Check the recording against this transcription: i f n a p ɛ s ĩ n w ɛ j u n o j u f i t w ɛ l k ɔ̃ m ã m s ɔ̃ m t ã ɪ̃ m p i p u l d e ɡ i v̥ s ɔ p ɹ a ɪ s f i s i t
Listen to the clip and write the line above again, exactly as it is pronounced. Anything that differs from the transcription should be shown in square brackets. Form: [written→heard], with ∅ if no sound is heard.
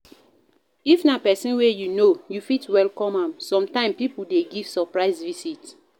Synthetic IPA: i f n a p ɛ s ĩ n w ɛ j u n o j u f i t w ɛ l k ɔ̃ m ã m s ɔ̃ m t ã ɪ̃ m p i p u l d e ɡ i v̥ s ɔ p ɹ a ɪ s [f→v] i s i t